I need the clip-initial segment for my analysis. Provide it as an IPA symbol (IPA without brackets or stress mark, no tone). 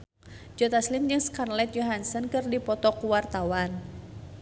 d͡ʒ